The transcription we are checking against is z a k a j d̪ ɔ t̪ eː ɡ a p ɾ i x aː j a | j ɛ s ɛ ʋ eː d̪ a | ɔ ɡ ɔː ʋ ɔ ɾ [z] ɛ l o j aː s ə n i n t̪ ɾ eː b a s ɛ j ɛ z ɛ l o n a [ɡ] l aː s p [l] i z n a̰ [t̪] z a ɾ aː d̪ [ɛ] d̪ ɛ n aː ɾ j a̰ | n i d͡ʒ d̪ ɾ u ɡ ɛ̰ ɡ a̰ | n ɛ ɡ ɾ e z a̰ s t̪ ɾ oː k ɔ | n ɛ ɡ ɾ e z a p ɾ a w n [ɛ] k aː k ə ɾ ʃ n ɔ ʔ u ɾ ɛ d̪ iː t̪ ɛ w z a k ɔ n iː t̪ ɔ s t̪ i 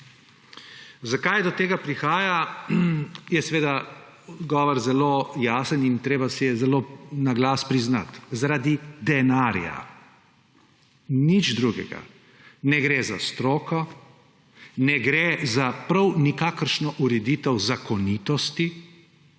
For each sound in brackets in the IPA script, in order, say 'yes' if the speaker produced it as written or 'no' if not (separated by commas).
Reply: yes, yes, no, yes, no, no